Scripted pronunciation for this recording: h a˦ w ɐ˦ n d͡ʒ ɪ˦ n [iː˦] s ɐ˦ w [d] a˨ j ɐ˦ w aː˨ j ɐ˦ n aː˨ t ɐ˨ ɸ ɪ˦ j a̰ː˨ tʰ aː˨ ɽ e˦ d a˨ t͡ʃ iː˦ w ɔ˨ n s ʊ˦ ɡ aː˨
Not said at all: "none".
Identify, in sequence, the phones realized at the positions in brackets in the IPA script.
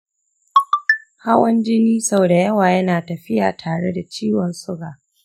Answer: iː˦, d

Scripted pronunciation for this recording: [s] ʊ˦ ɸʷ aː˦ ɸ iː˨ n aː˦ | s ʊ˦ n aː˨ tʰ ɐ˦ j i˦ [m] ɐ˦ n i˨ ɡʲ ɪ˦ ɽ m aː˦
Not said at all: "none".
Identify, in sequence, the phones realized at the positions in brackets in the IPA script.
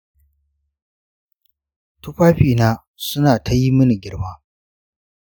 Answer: t, m

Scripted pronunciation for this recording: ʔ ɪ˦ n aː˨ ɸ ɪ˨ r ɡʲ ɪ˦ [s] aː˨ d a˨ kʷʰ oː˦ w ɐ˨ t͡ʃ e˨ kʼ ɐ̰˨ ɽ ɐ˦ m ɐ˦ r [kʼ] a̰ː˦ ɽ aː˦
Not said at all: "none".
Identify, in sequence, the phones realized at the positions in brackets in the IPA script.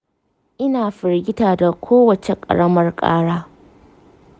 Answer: t, kʼ

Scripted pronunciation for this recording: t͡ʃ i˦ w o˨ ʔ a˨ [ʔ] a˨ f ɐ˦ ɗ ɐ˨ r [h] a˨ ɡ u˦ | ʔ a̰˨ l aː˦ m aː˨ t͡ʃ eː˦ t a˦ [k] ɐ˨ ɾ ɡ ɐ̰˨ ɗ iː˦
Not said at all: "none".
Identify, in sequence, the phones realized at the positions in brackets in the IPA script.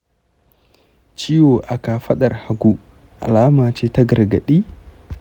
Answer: k, h, ɡ

